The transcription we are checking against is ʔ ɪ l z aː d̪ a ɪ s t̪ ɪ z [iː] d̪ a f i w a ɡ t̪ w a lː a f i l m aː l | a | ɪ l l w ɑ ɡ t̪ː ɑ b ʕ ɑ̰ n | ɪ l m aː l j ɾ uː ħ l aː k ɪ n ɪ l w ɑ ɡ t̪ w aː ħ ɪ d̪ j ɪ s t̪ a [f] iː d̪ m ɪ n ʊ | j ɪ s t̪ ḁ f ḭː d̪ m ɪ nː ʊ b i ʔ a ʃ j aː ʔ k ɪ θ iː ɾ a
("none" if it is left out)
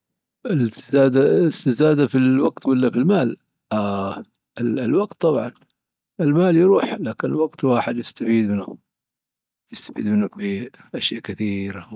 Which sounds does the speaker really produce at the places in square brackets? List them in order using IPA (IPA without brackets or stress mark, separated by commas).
aː, f